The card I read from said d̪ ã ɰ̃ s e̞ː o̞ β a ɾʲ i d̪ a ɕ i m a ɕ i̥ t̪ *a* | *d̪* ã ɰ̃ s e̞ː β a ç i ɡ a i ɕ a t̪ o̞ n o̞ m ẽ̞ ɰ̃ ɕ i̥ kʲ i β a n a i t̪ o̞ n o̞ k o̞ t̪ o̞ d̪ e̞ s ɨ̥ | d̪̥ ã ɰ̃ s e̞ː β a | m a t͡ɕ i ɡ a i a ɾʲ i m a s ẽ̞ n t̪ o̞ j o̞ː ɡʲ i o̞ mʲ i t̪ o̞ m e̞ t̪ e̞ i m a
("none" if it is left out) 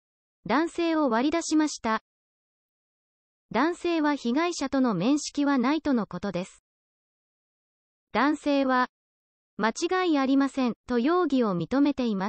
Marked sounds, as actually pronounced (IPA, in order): a, d̪

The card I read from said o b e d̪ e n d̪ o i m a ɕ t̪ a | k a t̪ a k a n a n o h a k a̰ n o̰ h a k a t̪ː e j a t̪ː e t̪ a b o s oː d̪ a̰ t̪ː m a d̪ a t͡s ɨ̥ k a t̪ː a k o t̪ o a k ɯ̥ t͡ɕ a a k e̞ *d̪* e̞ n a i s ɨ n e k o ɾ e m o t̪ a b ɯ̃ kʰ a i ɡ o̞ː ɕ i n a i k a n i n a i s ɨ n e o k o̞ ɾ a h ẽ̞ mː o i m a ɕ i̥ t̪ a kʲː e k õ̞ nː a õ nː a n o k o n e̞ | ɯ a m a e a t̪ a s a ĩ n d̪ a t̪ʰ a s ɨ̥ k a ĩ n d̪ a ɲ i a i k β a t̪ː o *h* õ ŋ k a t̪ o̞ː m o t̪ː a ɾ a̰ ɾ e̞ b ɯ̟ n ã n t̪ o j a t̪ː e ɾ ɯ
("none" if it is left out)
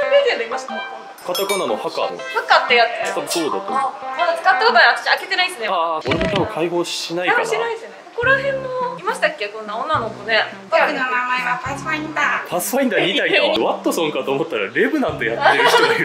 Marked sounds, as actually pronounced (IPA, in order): t̪, s

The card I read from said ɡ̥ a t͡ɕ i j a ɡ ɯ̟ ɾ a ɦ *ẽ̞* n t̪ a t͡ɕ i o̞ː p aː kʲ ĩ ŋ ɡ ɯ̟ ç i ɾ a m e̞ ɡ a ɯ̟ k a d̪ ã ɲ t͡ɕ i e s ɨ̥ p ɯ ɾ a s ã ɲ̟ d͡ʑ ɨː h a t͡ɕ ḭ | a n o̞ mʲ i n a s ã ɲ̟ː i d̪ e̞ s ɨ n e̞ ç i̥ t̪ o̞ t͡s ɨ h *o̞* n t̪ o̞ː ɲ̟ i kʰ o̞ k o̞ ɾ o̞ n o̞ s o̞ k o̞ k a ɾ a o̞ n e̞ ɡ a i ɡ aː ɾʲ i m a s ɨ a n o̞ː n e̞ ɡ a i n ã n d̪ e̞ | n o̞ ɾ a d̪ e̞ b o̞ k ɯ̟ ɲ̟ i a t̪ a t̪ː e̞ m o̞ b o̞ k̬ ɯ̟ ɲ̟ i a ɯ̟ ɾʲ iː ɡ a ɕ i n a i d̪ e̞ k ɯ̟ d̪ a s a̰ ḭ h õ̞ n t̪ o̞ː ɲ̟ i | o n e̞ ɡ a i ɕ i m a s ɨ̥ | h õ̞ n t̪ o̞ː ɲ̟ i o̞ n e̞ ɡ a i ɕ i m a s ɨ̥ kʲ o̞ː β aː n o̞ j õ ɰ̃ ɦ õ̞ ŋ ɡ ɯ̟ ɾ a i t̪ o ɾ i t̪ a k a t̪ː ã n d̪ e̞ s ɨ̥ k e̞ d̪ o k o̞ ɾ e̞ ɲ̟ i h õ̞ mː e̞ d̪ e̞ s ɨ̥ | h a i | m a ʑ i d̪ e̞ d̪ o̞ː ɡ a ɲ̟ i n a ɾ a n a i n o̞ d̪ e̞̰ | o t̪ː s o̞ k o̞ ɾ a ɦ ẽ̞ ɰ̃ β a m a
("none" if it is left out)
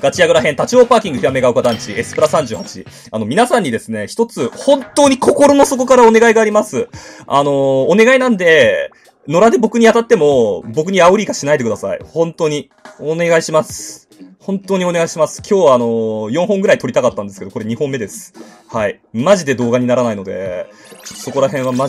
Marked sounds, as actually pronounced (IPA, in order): ẽ̞, õ̞

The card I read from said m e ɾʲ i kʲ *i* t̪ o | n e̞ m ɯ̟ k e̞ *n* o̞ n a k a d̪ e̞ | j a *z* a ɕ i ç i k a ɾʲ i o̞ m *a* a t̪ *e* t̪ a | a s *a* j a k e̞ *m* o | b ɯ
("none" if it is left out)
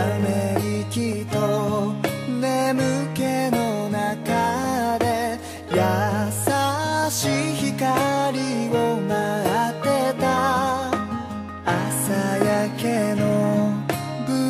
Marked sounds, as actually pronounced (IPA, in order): i, n, s, a, e, a, n

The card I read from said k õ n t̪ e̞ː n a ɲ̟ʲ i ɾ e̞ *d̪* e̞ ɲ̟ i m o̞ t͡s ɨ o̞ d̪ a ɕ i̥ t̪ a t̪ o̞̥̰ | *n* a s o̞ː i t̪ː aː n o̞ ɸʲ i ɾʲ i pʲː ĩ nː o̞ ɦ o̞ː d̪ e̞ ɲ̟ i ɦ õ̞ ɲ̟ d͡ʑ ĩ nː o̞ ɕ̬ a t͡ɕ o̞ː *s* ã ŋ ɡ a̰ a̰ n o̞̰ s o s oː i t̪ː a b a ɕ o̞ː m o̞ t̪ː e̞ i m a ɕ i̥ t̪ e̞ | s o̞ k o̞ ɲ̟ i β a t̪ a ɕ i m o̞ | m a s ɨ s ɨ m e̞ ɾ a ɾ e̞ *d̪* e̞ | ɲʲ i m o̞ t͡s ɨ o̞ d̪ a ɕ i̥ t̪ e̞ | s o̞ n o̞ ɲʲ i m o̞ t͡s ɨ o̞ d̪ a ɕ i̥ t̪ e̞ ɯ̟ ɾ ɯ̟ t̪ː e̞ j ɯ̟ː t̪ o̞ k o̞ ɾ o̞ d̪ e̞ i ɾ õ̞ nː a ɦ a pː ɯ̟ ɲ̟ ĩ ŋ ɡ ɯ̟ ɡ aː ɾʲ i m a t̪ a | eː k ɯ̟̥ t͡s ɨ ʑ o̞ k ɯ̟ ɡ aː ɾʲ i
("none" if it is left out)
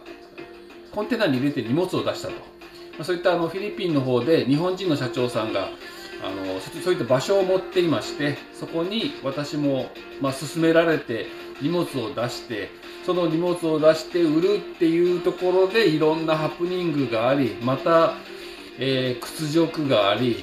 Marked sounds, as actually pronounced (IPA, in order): t̪, m, s, t̪

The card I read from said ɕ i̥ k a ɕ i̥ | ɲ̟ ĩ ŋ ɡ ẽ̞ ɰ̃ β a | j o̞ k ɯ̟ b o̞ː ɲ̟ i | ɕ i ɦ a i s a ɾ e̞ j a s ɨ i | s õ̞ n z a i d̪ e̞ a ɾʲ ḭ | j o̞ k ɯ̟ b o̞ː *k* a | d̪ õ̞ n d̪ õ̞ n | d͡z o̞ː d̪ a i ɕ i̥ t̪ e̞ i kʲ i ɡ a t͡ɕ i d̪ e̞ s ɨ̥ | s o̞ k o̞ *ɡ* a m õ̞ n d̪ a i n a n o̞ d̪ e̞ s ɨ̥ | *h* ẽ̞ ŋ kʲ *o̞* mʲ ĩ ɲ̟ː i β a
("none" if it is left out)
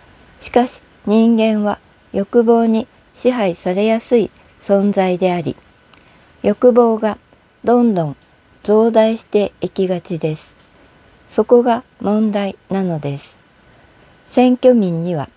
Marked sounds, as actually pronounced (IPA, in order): ɡ, ɡ, s, o̞

